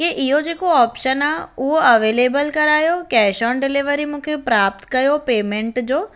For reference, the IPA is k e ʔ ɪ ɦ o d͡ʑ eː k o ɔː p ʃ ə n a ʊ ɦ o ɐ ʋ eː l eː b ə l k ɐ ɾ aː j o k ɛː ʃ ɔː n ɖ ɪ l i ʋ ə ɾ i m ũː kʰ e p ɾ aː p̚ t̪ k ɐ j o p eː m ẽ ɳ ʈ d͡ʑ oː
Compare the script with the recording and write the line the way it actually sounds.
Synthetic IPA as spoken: k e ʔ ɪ ɦ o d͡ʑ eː k o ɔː p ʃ ə n a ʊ ɦ o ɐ ʋ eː l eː b ə l k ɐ ɾ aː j o k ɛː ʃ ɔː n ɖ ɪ l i ʋ ə ɾ i m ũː kʰ e p ɾ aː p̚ t̪ k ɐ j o p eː m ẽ ɳ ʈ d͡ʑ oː